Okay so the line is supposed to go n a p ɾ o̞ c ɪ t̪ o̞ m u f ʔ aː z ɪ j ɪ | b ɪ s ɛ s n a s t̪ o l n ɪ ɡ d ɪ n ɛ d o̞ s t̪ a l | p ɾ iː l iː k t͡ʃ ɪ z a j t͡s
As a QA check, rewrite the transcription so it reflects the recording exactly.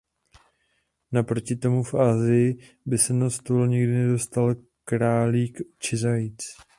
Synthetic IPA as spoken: n a p ɾ o̞ c ɪ t̪ o̞ m u f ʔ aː z ɪ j ɪ | b ɪ s ɛ n a s t̪ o l ɲ ɪ ɡ d ɪ n ɛ d o̞ s t̪ a l | k ɾ aː l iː k t͡ʃ ɪ z a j t͡s